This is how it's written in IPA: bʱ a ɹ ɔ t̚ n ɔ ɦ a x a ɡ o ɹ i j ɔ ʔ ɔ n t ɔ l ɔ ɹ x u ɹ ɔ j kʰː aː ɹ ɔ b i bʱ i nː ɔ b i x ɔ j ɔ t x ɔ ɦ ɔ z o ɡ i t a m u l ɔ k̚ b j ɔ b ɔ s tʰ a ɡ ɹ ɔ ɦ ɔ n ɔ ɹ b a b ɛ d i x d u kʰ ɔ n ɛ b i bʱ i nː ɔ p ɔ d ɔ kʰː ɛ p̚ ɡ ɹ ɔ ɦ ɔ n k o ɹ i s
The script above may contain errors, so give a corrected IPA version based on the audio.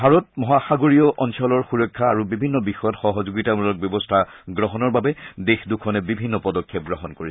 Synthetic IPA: bʱ a ɹ ɔ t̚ m ɔ ɦ a x a ɡ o ɹ i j ɔ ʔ ɔ n s ɔ l ɔ ɹ x u ɹ ɔ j kʰː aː ɹ u b i bʱ i nː ɔ b i x ɔ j ɔ t x ɔ ɦ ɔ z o ɡ i t a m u l ɔ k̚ b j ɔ b ɔ s tʰ a ɡ ɹ ɔ ɦ ɔ n ɔ ɹ b a b ɛ d e x d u kʰ ɔ n ɛ b i bʱ i nː ɔ p ɔ d ɔ kʰː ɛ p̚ ɡ ɹ ɔ ɦ ɔ n k o ɹ i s